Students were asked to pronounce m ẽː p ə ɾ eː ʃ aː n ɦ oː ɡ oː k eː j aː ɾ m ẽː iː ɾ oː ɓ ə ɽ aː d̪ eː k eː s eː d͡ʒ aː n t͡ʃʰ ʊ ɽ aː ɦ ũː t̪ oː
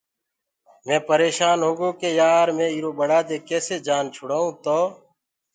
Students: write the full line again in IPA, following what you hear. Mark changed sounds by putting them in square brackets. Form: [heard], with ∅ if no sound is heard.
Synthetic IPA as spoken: m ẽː p ə ɾ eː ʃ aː n ɦ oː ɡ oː k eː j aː ɾ m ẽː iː ɾ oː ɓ ə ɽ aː d̪ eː k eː s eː d͡ʒ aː n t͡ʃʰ ʊ ɽ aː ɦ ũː t̪ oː